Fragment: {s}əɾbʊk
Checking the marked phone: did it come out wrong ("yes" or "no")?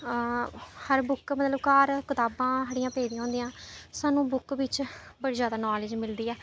yes